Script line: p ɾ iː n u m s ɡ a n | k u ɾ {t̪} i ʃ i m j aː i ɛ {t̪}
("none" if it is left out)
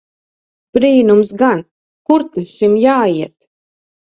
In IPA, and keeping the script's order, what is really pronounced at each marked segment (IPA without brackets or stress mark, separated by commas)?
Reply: t̪, t̪